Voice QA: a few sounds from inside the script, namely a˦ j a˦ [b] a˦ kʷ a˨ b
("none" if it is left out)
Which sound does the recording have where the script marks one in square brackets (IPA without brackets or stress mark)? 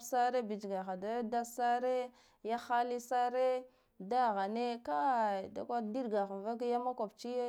m